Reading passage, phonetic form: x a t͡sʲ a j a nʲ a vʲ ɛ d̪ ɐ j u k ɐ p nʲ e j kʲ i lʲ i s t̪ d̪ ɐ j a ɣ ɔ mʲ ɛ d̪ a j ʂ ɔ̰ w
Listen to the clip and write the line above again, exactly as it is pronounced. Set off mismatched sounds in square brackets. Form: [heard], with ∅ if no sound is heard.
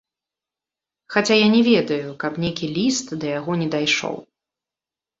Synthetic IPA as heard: x a t͡sʲ a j a nʲ [ɛ] vʲ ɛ d̪ ɐ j u k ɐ p nʲ e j kʲ i lʲ i s t̪ d̪ ɐ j a ɣ ɔ [nʲ] ɛ d̪ a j ʂ ɔ̰ w